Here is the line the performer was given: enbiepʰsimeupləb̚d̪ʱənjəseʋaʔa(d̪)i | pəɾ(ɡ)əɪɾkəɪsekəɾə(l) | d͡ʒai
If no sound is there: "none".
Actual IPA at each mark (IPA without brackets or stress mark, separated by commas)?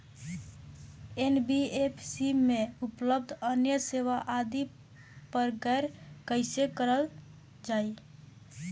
d̪, ɡ, l